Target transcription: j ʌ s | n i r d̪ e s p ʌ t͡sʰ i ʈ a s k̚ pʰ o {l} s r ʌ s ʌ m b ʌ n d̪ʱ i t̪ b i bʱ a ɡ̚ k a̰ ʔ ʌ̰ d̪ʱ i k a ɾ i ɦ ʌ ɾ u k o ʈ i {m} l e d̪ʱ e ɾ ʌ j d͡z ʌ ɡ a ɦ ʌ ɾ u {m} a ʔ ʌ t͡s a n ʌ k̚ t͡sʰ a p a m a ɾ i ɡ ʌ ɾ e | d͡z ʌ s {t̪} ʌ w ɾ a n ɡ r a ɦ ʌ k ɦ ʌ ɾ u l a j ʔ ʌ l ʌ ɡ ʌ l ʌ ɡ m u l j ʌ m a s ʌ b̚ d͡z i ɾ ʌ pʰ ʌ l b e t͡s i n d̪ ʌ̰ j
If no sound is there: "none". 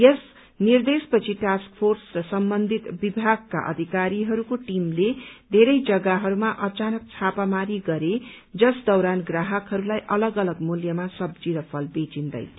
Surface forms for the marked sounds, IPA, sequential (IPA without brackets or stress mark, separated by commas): r, m, m, d̪